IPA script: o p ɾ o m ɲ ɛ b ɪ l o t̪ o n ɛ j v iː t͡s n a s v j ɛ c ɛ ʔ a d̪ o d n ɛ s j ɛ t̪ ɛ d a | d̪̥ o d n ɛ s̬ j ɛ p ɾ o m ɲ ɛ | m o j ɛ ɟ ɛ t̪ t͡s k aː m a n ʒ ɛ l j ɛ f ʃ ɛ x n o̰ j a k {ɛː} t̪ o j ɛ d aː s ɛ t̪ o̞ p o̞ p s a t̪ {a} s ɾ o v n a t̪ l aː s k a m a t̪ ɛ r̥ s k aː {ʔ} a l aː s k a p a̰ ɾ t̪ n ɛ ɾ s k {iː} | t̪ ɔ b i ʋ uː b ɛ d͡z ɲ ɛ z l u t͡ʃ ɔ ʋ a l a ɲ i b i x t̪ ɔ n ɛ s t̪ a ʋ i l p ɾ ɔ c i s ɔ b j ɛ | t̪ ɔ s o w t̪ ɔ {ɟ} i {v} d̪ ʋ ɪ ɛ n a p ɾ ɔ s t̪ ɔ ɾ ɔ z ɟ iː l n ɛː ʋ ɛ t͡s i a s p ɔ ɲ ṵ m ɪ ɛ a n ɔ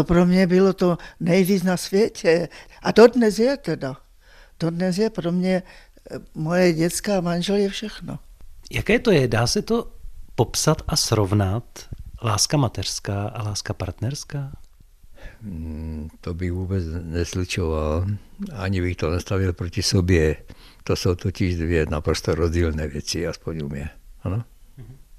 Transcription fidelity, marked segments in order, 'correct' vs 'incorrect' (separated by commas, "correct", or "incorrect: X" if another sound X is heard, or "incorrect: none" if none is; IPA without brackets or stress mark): correct, correct, correct, incorrect: aː, incorrect: c, incorrect: ʒ